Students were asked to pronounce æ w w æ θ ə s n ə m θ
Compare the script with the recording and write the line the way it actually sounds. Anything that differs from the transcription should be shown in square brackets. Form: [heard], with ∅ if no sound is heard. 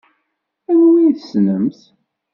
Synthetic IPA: æ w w [i] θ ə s n ə m θ